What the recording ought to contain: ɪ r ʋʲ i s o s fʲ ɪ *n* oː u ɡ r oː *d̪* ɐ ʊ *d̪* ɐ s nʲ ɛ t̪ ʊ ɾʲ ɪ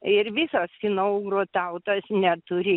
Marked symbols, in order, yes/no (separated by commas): yes, no, no